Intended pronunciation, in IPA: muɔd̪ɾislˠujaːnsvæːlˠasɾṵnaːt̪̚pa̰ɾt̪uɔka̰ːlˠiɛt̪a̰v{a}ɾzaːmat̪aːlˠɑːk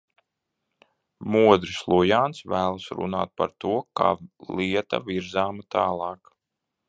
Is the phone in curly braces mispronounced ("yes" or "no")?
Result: yes